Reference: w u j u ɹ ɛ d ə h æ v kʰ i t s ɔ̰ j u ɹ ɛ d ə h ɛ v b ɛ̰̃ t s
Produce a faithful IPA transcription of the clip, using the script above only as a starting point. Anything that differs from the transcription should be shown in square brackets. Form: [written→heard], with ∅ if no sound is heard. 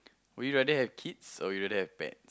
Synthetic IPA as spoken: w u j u ɹ ɛ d ə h [æ→ɛ] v kʰ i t s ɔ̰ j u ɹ ɛ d ə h ɛ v b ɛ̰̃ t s